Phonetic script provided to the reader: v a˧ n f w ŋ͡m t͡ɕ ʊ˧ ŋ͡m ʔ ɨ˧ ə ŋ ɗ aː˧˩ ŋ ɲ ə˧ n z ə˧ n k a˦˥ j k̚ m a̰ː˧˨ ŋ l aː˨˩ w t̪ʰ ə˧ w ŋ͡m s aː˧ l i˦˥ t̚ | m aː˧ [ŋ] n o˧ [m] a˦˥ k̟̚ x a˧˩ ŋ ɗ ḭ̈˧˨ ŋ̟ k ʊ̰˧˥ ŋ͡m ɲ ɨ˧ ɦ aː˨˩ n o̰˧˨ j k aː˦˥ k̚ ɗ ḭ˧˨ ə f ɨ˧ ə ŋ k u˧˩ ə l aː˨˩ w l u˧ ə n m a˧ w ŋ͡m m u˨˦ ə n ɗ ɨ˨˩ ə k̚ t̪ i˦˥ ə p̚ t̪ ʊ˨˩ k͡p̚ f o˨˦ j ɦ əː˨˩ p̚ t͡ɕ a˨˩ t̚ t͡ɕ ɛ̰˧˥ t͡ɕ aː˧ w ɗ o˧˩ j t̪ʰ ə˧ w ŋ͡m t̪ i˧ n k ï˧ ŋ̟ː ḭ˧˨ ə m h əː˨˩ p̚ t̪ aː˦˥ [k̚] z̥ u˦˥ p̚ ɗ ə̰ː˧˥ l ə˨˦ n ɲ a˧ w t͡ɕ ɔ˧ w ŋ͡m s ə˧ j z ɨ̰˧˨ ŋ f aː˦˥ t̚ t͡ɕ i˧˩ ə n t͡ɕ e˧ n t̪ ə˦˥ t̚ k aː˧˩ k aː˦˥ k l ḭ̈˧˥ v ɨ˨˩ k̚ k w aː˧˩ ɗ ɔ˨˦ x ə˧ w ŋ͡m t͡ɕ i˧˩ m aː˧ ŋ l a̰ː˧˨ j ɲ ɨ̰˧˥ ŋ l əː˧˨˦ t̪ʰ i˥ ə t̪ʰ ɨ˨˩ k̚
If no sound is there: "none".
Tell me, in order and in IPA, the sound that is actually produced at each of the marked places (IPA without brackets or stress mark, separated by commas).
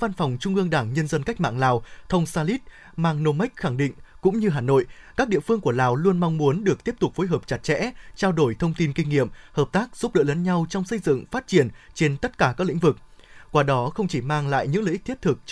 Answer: ŋ, m, k̚